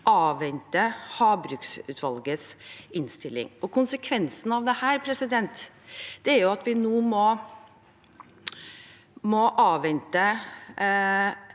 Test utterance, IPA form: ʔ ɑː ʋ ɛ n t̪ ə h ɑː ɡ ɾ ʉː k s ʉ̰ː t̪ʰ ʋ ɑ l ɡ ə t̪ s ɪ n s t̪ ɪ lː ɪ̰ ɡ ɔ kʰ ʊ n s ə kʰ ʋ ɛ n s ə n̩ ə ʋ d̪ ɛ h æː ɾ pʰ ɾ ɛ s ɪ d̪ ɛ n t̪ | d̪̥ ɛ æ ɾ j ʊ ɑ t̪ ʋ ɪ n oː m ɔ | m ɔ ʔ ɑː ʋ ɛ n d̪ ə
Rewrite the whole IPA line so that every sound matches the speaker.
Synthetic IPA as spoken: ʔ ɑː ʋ ɛ n t̪ ə h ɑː b ɾ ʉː k s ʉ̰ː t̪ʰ ʋ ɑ l ɡ ə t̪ s ɪ n s t̪ ɪ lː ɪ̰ ŋ ɔ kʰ ʊ n s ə kʰ ʋ ɛ n s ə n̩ ɑ ʋ d̪ ɛ h æː ɾ pʰ ɾ ɛ s ɪ d̪ ɛ n t̪ | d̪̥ ɛ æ ɾ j ʊ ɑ t̪ ʋ ɪ n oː m ɔ | m ɔ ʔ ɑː ʋ ɛ n t̪ ə